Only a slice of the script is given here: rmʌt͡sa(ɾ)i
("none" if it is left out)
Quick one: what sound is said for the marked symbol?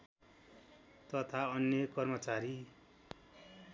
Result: ɾ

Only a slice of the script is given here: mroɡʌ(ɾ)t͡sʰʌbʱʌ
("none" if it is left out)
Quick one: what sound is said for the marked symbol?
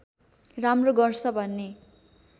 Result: r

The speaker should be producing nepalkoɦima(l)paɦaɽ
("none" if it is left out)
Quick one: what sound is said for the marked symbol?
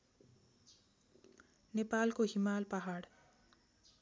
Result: l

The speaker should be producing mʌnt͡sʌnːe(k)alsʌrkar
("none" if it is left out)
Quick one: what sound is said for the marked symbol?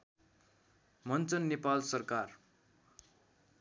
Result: p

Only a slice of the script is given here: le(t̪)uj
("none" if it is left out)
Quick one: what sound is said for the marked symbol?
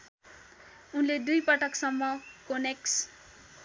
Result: d̪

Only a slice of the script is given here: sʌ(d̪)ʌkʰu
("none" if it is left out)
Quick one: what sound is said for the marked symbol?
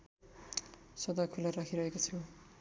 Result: d̪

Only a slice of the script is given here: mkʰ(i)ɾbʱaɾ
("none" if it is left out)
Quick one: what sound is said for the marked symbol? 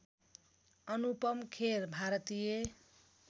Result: e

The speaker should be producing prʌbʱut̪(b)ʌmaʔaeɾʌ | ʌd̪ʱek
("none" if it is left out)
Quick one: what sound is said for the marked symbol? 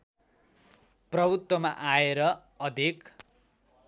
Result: w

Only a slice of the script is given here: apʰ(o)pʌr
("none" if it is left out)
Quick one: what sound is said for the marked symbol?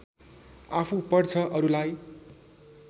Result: u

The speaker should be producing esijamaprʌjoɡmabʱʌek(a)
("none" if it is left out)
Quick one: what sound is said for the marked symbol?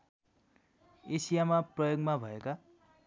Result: a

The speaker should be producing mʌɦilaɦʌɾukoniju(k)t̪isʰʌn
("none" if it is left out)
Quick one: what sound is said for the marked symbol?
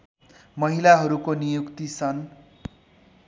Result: k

